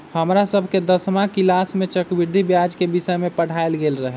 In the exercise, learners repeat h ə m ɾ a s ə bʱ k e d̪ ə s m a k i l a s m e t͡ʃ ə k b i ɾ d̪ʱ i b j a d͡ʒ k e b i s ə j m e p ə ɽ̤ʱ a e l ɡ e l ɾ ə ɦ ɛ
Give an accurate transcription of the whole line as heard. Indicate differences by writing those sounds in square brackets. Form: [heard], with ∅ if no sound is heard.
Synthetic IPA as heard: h ə m ɾ a s ə bʱ k e d̪ ə s m a k i l a s m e t͡ʃ ə k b i ɾ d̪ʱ i b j a d͡ʒ k e b i s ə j m e p ə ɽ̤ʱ a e l ɡ e l ɾ ə ɦ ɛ